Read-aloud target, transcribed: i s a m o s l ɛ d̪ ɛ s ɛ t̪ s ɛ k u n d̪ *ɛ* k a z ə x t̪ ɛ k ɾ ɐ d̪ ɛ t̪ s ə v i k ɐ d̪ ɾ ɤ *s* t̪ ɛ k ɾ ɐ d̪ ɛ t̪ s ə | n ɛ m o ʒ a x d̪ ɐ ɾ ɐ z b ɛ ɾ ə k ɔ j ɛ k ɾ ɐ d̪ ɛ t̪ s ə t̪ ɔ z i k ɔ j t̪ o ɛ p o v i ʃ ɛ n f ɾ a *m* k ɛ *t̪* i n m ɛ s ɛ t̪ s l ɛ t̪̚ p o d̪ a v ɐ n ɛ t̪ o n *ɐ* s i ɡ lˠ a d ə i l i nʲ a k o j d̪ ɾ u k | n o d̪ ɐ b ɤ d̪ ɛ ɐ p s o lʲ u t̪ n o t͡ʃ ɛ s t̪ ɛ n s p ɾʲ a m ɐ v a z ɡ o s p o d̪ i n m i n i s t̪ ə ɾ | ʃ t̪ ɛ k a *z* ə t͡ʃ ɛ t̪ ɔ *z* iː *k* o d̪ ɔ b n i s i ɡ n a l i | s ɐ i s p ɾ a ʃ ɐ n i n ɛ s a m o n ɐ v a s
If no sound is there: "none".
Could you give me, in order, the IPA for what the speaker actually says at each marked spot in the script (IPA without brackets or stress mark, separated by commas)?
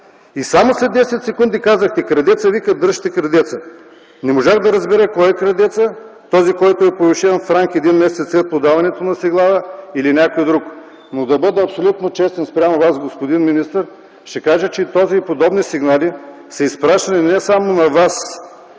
i, ʃ, ŋ, d̪, ɐ, ʒ, z, p